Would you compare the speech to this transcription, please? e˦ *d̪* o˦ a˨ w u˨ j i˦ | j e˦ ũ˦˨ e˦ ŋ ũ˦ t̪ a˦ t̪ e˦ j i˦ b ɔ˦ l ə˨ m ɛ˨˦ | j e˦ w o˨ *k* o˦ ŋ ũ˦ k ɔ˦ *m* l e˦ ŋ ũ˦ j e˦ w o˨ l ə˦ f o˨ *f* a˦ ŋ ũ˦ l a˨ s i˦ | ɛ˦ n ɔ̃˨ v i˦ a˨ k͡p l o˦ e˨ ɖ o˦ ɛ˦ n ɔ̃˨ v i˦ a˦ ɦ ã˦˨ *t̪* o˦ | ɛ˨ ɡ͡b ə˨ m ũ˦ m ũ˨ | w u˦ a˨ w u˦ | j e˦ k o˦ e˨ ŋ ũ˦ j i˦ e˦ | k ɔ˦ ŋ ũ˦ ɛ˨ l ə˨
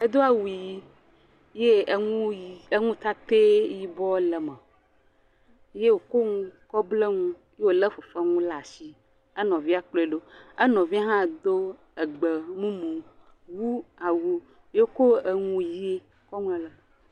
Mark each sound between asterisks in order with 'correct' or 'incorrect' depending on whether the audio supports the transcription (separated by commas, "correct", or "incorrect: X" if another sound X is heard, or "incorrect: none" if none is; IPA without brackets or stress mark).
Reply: correct, correct, incorrect: b, correct, incorrect: d̪